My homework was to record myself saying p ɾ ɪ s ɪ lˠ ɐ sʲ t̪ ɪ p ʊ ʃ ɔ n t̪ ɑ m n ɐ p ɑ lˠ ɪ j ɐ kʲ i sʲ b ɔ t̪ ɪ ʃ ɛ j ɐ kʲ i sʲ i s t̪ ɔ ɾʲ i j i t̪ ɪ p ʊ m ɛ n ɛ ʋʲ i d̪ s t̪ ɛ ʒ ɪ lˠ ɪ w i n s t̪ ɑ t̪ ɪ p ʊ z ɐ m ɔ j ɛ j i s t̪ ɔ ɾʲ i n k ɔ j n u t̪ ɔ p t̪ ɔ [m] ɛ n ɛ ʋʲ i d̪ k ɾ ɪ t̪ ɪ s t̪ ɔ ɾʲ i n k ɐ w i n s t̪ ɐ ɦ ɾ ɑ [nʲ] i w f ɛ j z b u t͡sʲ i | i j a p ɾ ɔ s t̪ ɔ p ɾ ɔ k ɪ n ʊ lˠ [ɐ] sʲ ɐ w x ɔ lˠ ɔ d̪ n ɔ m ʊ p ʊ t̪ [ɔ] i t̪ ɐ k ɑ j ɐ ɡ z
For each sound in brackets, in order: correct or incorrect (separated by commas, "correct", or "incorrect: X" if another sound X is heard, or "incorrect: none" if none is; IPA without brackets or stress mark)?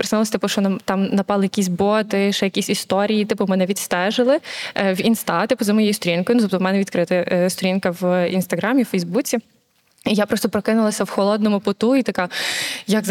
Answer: correct, incorrect: mʲ, correct, incorrect: u